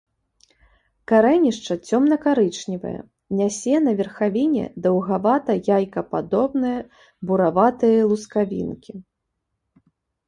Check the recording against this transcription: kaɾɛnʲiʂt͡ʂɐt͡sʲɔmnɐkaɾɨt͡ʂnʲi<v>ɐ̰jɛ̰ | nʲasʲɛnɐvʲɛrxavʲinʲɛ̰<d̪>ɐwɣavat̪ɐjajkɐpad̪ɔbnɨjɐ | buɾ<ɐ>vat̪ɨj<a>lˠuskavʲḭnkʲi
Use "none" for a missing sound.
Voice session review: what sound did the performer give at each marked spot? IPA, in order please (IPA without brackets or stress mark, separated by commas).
v, d̪, a, ɐ